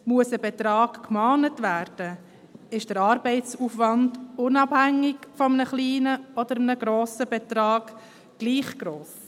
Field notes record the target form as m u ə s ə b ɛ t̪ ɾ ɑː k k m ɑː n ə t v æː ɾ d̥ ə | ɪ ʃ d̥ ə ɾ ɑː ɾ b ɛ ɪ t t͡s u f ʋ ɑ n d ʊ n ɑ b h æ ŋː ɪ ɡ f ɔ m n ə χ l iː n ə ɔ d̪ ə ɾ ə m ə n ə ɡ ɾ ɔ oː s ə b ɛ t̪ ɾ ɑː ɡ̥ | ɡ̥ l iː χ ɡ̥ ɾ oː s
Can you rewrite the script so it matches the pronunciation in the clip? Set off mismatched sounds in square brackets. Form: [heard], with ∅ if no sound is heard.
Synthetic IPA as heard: m u ə s ə b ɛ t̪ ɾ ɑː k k m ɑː n ə t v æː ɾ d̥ ə | ɪ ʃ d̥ ə ɾ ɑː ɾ b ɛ ɪ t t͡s u f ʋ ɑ n d ʊ n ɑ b h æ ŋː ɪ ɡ f ɔ m n ə χ l iː n ə ɔ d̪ ə ɾ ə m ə n ə ɡ ɾ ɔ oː s ə b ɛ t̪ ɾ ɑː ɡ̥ | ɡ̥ l iː χ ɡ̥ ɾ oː s